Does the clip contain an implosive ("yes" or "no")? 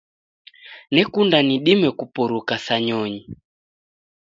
yes